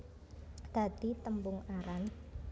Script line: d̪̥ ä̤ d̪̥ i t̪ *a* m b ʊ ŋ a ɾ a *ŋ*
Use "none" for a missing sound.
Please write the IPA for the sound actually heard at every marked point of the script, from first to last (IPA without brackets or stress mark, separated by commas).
ə, n